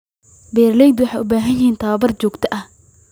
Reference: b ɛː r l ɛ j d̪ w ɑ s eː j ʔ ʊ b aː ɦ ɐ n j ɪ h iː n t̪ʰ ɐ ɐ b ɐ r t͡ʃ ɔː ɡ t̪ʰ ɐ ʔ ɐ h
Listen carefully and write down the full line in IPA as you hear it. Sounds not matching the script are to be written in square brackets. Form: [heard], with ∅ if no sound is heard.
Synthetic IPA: b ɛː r l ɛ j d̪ w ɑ [ħ] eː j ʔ ʊ b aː ɦ ɐ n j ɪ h iː n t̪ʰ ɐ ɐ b ɐ r t͡ʃ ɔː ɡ t̪ʰ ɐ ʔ ɐ h